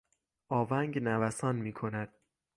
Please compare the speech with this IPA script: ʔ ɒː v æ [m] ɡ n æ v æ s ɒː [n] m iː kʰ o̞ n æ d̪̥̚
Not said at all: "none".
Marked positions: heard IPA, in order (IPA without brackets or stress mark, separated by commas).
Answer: ŋ, n